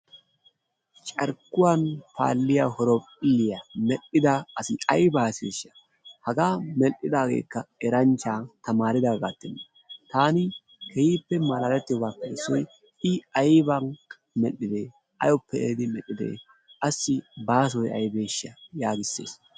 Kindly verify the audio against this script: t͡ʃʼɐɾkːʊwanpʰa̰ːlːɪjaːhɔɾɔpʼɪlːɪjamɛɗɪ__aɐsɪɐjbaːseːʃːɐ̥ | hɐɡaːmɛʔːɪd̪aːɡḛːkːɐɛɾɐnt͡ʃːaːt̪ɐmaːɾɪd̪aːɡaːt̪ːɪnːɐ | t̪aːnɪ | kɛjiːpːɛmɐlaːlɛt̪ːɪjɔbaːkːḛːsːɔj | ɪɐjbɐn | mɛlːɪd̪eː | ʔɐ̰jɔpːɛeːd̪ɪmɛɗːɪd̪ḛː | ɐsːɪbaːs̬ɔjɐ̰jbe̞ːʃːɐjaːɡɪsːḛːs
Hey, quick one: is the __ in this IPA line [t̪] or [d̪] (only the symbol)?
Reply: d̪